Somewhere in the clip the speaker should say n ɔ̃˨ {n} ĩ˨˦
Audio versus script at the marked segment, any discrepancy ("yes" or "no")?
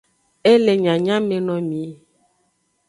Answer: yes